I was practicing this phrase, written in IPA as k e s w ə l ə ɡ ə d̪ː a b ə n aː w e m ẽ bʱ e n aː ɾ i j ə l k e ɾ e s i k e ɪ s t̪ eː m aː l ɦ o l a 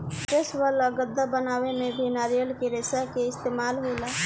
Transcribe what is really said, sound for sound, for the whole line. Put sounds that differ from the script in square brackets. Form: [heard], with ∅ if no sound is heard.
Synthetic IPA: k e s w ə l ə ɡ ə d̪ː a b ə n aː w e m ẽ bʱ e n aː ɾ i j ə l k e ɾ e s [a] k e ɪ s t̪ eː m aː l ɦ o l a